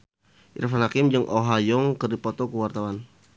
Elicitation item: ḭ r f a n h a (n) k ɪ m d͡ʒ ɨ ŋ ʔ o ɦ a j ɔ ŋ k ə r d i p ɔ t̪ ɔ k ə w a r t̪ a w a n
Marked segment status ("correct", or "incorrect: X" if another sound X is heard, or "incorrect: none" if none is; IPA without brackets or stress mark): incorrect: none